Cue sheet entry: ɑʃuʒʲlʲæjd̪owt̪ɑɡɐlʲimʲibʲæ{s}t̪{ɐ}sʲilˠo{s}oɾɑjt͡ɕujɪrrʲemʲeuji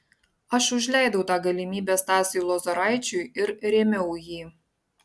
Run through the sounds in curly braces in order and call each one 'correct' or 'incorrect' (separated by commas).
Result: correct, incorrect, incorrect